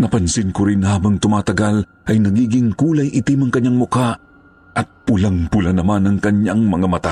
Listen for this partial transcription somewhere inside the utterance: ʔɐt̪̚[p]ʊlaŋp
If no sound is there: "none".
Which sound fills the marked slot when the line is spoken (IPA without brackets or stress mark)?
p